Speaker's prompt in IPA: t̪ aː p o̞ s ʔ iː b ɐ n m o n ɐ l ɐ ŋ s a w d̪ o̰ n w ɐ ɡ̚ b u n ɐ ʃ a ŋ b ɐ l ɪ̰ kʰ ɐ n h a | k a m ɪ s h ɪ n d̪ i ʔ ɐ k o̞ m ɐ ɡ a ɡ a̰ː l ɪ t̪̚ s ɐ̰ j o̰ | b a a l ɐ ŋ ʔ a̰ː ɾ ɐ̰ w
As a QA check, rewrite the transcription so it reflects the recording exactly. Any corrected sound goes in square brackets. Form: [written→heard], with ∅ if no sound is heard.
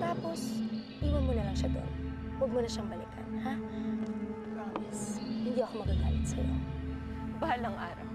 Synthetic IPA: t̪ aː p o̞ s ʔ iː [b→w] ɐ n m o n ɐ l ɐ ŋ [s→ʃ] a [w→∅] d̪ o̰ n w ɐ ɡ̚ [b→m] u n ɐ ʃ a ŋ b ɐ l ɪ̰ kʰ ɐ n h a | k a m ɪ s h ɪ n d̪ i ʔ ɐ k o̞ m ɐ ɡ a ɡ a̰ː l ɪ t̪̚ s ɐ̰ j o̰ | b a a l ɐ ŋ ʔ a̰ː ɾ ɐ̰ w